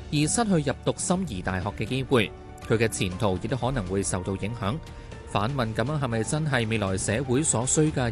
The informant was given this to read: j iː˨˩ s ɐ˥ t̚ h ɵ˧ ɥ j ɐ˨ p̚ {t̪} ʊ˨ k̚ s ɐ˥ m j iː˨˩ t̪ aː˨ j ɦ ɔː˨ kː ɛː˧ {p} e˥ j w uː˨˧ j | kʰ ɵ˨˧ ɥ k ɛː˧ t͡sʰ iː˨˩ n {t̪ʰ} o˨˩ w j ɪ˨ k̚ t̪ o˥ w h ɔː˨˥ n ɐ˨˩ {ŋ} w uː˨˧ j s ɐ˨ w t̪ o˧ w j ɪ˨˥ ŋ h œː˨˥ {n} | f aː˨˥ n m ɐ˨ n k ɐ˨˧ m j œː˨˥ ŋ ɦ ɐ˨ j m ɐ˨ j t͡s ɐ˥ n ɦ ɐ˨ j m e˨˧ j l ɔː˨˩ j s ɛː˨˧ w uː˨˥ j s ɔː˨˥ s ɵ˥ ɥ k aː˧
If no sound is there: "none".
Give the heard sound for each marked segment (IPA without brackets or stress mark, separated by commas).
t̪, k, t̪ʰ, ŋ, ŋ